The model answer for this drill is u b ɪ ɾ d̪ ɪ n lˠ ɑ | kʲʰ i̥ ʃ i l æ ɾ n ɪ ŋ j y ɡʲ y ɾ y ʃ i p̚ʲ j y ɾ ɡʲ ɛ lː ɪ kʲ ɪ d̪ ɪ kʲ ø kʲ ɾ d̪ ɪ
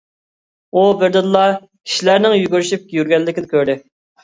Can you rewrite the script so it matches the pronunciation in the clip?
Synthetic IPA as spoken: u b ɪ ɾ d̪ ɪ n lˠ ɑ | kʲʰ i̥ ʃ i l æ ɾ n ɪ ŋ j y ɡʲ y ɾ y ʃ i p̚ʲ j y ɾ ɡʲ ɛ lː ɪ kʲ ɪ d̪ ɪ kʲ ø ɾ d̪ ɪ